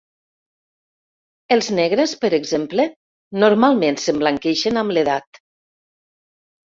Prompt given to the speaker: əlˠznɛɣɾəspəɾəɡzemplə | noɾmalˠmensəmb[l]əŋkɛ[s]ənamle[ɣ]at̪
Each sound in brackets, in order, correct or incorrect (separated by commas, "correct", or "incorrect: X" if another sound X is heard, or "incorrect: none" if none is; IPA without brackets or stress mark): correct, incorrect: ʃ, incorrect: ð